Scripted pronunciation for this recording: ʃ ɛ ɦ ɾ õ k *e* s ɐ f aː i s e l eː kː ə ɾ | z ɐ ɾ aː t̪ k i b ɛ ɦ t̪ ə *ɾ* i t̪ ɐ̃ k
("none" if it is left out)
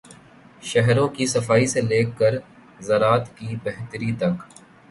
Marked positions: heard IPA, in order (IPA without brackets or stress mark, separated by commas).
i, ɾ